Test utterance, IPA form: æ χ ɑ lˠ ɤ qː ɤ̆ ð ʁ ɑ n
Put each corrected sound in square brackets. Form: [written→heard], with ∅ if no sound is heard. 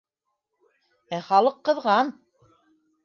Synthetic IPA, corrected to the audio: æ χ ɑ lˠ ɤ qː ɤ̆ ð ʁ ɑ n